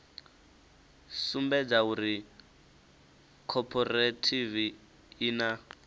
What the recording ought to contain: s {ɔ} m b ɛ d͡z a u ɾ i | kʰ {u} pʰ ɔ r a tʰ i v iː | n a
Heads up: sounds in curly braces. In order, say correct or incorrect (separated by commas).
incorrect, incorrect